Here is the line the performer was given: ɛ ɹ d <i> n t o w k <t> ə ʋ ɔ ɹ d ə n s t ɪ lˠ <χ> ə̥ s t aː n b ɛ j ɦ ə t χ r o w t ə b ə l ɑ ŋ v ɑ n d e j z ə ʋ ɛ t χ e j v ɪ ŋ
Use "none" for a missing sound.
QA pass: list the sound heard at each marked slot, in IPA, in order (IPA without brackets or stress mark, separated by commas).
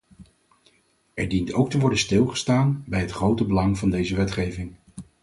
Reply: i, t, χ